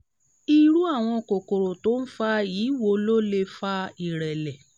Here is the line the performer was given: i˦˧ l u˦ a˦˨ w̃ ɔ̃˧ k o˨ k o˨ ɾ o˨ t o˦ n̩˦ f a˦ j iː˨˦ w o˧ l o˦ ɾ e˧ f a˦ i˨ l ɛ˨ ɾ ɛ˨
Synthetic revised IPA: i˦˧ ɾ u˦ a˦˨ w̃ ɔ̃˧ k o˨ k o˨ ɾ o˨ t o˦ n̩˦ f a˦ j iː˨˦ w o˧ l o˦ l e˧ f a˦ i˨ ɾ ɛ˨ l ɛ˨